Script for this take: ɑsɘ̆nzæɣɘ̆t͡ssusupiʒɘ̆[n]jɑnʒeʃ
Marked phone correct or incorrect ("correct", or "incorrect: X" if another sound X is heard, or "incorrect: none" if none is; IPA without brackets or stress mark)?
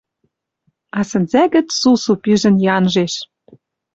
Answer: correct